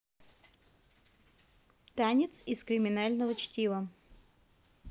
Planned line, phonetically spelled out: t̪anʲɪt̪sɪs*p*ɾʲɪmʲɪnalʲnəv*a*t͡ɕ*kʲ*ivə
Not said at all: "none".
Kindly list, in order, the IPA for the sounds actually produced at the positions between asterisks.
k, ə, tʲ

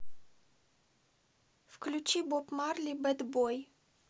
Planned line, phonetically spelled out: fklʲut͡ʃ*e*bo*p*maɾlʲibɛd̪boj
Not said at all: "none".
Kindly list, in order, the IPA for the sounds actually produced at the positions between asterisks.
i, p

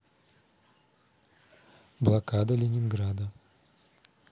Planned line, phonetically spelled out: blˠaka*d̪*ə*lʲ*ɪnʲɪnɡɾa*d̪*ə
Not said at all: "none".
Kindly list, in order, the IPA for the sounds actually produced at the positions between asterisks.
d̪, lʲ, d̪

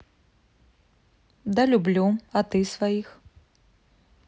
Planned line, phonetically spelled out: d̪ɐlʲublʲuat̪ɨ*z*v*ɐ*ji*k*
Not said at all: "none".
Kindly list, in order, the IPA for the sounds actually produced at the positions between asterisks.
s, a, x

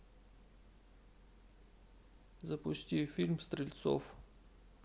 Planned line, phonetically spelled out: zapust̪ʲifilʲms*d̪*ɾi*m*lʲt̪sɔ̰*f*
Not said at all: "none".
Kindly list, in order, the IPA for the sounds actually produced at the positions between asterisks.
t̪, none, f

